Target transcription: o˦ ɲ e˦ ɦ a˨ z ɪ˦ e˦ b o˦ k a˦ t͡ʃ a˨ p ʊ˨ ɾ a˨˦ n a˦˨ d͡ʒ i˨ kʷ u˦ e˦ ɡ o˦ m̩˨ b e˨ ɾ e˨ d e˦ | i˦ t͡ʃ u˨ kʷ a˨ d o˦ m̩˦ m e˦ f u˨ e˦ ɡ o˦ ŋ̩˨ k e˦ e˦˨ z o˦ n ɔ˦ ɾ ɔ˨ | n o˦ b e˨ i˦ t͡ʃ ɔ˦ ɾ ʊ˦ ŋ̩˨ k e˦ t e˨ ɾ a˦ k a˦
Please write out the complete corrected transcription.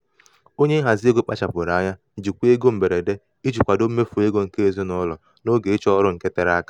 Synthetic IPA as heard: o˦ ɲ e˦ ɦ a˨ z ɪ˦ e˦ ɡ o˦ k͡p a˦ t͡ʃ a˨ p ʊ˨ ɾ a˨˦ ɲ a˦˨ d͡ʒ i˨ kʷ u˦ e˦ ɡ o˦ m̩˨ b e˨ ɾ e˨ d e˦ | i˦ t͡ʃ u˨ kʷ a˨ d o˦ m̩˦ m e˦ f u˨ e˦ ɡ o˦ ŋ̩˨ k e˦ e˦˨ z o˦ n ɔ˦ l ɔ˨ | n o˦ ɡ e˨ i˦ t͡ʃ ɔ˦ ɾ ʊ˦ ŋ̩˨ k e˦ t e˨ ɾ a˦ k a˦